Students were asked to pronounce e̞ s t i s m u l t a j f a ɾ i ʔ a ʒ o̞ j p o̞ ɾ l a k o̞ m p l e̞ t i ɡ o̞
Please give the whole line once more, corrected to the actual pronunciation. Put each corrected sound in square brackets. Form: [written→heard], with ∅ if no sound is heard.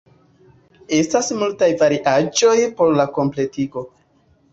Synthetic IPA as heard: e̞ s t [i→a] s m u l t a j [f→v] a ɾ i ʔ a [ʒ→d͡ʒ] o̞ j p o̞ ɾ l a k o̞ m p l e̞ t i ɡ o̞